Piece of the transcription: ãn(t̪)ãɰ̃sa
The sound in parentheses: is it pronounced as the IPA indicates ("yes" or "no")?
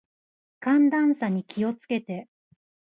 no